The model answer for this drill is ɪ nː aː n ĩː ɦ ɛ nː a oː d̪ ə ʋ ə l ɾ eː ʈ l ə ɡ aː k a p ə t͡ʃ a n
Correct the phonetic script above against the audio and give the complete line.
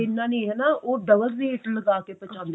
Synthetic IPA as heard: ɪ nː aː n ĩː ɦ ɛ n a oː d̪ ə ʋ ə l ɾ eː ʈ l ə ɡ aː k e p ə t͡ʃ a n